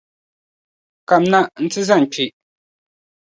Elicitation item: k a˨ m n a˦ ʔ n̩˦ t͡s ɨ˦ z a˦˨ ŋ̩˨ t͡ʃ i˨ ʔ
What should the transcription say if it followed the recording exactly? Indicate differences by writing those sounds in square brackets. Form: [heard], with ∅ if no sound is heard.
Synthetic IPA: k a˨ m n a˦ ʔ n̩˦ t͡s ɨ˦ z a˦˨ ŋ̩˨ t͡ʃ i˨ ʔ